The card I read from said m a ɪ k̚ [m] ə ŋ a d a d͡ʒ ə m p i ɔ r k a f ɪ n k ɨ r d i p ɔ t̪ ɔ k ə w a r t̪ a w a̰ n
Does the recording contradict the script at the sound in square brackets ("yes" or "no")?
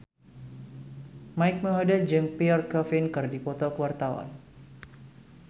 no